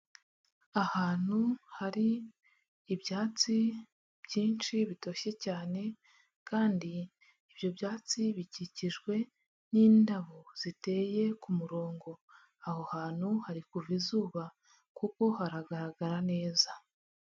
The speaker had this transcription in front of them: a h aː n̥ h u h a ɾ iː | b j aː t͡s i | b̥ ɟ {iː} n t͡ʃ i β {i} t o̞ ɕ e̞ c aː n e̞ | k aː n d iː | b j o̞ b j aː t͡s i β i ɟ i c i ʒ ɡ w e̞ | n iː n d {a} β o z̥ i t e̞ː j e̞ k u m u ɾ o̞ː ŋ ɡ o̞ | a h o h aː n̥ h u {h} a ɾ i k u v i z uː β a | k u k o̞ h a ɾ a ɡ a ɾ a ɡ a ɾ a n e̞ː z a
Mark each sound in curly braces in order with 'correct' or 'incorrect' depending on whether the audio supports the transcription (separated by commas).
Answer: correct, correct, correct, correct